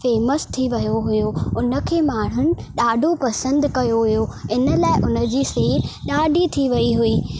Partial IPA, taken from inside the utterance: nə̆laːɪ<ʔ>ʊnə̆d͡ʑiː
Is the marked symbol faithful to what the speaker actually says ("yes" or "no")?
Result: yes